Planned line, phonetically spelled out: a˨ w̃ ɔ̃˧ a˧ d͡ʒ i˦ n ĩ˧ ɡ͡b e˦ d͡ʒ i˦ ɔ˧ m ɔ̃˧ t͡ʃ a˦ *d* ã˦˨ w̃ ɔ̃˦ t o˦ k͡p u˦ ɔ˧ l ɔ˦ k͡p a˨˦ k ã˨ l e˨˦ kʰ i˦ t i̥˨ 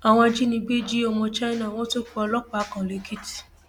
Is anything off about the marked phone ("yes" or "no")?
yes